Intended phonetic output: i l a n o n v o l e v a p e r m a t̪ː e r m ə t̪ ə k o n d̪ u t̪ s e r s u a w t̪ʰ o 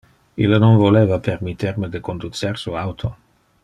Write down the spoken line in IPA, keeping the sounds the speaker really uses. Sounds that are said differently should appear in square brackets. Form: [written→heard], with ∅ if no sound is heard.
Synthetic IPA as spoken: i l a n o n v o l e v a p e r m [a→i] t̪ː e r m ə [t̪→d̪] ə k o n d̪ u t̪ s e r s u a w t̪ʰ o